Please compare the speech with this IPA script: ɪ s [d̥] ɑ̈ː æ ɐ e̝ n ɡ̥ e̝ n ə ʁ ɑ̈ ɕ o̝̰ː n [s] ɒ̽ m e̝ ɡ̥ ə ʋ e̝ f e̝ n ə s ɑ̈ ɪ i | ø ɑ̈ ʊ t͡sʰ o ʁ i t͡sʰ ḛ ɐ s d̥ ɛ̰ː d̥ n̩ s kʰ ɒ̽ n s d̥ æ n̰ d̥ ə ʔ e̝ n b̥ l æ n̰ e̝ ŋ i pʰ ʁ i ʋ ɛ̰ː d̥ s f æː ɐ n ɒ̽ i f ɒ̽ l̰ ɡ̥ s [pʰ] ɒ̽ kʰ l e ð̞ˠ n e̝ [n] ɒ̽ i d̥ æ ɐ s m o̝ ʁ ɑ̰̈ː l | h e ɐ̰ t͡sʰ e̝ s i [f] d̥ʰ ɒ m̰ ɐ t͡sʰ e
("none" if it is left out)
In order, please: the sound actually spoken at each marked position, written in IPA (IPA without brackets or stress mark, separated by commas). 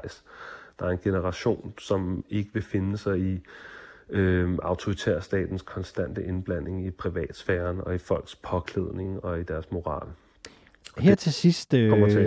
d̥, s, pʰ, ŋ, s